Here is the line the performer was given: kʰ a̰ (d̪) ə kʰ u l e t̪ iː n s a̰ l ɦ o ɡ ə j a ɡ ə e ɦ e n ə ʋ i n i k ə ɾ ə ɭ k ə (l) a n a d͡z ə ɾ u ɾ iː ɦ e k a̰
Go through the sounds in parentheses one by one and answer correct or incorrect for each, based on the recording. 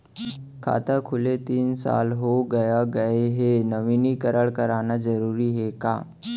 incorrect, incorrect

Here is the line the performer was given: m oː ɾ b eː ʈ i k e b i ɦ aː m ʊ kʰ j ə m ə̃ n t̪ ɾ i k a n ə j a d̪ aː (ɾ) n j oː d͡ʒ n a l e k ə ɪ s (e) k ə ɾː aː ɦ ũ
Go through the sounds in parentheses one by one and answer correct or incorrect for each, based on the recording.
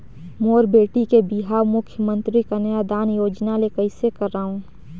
incorrect, correct

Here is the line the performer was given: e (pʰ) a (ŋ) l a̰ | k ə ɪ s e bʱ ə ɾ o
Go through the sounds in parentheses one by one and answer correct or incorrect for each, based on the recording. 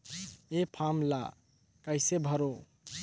correct, incorrect

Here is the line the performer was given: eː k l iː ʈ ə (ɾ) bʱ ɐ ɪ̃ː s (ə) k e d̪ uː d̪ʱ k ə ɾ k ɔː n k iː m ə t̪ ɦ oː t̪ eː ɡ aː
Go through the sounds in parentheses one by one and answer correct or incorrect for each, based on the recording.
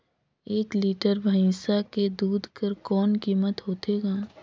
correct, incorrect

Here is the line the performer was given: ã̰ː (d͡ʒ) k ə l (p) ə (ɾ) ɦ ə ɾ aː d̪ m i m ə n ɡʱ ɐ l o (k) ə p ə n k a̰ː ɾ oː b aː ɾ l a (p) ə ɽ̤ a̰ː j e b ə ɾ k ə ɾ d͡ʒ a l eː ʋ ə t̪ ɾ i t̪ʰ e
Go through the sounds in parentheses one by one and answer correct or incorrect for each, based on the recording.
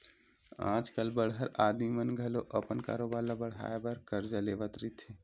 correct, incorrect, incorrect, incorrect, incorrect

